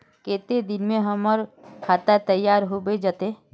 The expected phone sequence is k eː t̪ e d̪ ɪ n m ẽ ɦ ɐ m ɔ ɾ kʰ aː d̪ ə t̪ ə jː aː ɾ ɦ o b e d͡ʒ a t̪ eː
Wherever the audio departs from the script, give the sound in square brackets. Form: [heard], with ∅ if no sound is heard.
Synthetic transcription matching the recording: k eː t̪ e d̪ ɪ n m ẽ ɦ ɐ m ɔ ɾ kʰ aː [t̪] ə t̪ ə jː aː ɾ ɦ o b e d͡ʒ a t̪ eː